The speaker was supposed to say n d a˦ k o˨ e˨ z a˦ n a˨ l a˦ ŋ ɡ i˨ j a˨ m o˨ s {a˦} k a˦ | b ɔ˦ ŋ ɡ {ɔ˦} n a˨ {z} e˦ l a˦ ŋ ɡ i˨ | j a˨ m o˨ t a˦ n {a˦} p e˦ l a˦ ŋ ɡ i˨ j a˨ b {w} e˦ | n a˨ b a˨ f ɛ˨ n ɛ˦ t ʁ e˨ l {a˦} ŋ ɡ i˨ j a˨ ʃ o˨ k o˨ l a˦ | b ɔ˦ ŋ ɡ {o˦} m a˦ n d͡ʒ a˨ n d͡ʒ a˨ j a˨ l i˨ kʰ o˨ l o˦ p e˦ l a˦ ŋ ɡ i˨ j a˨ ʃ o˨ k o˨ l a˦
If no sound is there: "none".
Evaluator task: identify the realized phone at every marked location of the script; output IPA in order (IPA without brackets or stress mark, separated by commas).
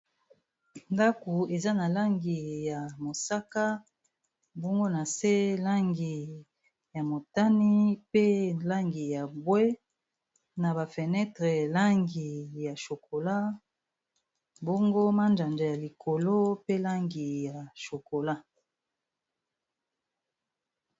a˦, o˦, s, i˦, w, a˦, o˦